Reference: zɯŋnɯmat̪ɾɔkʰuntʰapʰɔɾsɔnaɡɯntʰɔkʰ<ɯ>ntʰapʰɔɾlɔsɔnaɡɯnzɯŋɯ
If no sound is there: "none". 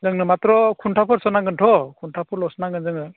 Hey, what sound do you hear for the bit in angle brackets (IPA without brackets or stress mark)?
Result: u